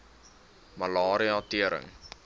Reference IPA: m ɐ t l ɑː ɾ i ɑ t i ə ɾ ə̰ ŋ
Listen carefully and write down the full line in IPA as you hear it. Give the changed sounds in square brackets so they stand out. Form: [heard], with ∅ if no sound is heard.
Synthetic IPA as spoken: m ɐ [∅] l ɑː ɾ i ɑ t i ə ɾ ə̰ ŋ